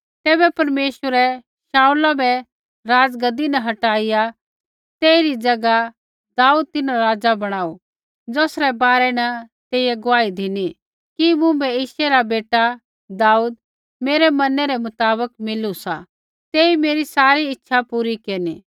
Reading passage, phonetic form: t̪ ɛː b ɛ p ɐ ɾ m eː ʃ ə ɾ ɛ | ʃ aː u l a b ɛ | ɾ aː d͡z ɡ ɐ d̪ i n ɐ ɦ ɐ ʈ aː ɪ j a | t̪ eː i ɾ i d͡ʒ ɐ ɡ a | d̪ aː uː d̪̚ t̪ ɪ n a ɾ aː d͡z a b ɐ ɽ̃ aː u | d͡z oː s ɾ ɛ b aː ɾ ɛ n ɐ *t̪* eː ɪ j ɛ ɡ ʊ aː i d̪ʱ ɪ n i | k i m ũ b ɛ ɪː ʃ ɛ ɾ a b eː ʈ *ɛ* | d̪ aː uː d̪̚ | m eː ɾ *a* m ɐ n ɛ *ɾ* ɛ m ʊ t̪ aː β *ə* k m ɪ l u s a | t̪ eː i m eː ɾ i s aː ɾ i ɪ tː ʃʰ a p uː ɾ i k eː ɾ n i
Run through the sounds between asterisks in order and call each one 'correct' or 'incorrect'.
correct, incorrect, incorrect, correct, correct

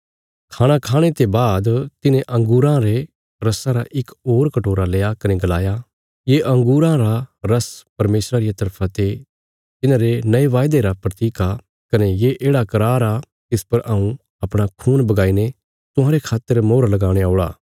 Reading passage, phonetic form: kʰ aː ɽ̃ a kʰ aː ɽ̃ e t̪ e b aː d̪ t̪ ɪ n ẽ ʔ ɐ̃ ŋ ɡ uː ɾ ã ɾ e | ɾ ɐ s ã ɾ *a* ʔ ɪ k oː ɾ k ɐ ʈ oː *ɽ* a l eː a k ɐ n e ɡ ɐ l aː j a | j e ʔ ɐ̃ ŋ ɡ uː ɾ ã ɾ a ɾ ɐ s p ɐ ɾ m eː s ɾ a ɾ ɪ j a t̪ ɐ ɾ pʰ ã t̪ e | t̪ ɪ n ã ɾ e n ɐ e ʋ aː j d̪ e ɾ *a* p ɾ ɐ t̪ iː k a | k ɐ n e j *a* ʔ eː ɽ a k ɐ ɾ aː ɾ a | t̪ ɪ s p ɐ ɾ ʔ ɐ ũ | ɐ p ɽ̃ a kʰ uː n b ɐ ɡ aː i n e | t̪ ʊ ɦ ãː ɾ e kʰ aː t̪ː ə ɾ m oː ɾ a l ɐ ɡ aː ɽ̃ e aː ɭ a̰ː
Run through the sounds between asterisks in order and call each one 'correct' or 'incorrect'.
correct, incorrect, correct, incorrect

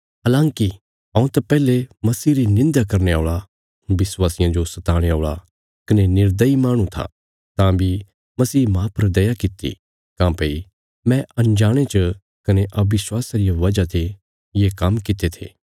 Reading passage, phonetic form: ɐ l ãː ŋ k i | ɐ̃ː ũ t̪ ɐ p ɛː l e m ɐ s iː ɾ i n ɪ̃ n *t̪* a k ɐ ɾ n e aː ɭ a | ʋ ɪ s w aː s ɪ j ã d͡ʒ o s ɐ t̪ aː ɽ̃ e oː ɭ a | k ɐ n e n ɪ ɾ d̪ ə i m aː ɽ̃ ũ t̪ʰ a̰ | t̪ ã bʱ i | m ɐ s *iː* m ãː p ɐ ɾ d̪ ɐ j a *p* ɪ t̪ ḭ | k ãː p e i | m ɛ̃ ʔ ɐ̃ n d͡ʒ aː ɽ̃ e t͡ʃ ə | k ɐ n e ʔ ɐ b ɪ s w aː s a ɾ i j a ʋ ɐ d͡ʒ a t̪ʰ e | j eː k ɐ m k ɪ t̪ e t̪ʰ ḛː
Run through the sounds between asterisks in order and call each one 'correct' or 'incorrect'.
incorrect, correct, incorrect

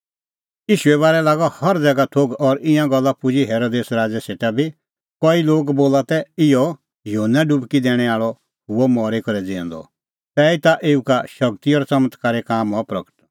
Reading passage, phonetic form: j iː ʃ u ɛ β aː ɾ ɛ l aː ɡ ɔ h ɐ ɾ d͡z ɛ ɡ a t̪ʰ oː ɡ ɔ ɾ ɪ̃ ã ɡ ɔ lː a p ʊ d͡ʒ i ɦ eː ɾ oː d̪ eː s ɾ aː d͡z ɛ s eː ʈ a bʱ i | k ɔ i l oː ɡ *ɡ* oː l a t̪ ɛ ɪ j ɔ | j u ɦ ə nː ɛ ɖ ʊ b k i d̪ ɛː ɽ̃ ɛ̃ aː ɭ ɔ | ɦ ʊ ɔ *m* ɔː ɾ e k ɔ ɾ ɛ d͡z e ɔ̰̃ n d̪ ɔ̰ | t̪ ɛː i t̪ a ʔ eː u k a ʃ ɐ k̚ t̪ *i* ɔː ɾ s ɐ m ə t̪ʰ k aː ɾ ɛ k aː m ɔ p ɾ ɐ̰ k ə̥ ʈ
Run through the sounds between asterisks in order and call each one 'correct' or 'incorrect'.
incorrect, correct, correct

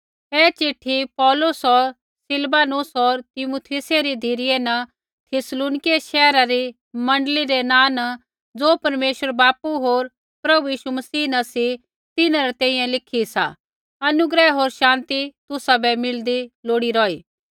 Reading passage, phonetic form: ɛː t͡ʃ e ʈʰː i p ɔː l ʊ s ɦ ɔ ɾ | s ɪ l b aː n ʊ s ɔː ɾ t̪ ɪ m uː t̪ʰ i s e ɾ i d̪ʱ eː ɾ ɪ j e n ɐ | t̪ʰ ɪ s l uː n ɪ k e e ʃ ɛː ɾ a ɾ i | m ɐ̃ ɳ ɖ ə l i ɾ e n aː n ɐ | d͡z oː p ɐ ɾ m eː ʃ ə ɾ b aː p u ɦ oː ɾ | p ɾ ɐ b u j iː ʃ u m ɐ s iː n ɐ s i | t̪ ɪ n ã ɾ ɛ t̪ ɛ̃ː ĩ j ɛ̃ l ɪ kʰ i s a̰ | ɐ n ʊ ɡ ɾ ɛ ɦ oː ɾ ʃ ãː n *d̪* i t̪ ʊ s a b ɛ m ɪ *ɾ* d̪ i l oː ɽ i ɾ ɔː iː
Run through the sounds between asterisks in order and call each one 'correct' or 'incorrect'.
incorrect, incorrect

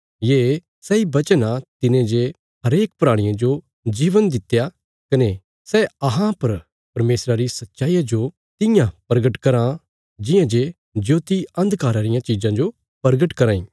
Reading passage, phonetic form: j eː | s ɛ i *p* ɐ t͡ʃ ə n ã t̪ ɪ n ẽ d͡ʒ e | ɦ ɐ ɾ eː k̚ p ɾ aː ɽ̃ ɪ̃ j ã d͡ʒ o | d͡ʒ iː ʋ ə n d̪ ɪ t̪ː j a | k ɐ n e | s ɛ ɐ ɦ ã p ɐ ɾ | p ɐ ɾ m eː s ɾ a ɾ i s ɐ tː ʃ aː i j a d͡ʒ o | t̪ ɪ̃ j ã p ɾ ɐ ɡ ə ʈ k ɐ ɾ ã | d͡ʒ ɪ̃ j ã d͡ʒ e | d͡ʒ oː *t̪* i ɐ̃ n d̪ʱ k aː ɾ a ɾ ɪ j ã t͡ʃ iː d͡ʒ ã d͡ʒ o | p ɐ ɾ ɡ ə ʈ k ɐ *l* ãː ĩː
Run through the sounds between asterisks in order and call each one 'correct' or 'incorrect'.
incorrect, correct, incorrect

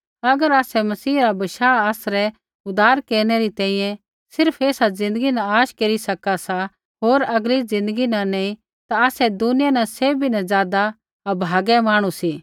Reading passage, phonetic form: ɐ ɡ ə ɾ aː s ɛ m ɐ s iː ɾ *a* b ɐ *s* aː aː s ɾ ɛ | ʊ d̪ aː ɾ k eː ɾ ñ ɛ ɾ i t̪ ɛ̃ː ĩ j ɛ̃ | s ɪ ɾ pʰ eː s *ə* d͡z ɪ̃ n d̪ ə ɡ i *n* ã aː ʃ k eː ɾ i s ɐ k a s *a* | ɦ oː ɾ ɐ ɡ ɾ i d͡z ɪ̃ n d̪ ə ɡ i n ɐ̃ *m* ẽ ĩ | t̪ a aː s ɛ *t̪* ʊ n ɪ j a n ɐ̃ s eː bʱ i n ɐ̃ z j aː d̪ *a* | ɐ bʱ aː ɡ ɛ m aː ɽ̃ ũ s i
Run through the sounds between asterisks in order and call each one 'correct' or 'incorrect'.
correct, incorrect, incorrect, correct, correct, incorrect, incorrect, correct

